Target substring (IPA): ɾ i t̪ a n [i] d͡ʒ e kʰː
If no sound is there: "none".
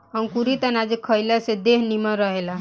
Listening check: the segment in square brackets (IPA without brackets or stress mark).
a